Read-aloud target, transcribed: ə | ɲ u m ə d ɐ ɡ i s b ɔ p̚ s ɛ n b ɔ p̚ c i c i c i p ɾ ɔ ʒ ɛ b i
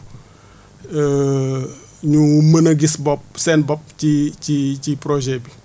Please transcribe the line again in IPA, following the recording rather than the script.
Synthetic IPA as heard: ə | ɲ u m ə n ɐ ɡ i s b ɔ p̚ s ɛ n b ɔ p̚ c i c i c i p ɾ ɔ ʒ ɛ b i